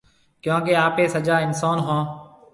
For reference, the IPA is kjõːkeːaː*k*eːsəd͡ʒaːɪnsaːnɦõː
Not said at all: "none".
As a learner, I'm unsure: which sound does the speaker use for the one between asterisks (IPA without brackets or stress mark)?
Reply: p